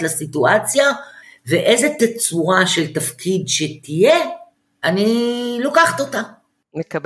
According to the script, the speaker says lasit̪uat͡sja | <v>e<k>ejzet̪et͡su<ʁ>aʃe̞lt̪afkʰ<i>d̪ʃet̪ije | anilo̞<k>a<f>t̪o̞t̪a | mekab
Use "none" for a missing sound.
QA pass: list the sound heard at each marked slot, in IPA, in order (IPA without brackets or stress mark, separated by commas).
v, ʔ, ʁ, i, k, χ